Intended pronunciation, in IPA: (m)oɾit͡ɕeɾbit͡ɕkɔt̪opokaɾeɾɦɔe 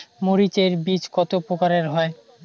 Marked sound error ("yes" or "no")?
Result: no